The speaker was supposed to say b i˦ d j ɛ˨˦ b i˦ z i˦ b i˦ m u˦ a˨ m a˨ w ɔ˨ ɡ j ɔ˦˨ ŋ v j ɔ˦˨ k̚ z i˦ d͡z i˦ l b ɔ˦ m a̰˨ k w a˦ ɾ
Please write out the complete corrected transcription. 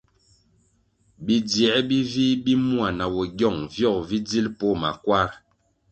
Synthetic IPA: b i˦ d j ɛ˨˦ b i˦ v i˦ b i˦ m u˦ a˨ n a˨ w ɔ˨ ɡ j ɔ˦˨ ŋ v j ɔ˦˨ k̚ v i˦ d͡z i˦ l p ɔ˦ m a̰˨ k w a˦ ɾ